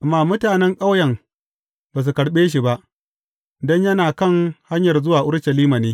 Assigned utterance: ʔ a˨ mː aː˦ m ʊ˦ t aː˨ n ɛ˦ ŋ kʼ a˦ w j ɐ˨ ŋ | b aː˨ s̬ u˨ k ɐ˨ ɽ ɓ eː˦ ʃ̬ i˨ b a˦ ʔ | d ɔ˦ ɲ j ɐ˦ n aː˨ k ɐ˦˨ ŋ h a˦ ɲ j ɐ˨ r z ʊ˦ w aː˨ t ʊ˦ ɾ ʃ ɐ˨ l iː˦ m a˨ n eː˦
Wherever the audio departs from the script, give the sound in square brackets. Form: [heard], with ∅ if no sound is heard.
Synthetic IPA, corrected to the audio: ʔ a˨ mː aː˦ m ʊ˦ t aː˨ n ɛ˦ ŋ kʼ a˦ w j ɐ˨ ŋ | b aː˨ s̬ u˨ k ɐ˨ ɽ ɓ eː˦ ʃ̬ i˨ b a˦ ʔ | d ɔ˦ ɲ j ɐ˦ n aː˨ k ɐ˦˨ ŋ h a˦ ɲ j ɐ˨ r z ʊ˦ w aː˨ [ʔ] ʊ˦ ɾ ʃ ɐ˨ l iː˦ m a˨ n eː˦